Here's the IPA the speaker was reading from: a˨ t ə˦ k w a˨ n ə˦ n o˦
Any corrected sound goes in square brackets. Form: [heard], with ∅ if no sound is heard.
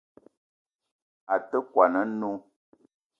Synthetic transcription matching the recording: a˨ t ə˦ k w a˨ n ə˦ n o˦